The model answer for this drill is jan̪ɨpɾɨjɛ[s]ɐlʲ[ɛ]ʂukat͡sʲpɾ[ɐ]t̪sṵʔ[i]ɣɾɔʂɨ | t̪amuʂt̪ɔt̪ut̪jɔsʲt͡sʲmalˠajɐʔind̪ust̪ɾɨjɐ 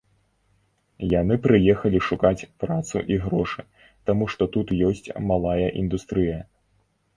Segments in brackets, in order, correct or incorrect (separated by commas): incorrect, incorrect, incorrect, correct